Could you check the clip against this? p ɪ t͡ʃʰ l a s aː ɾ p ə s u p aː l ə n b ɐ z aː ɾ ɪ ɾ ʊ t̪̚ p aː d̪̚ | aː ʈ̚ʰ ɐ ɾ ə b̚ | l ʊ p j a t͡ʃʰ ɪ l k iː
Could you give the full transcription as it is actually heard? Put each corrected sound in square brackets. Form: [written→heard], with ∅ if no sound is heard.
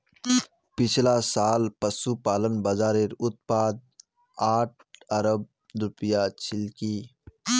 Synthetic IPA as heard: p ɪ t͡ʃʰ l a s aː [ɾ→l] p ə s u p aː l ə n b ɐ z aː ɾ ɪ ɾ ʊ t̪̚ p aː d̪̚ | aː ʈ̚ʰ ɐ ɾ ə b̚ | [l→ɾ] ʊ p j a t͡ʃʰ ɪ l k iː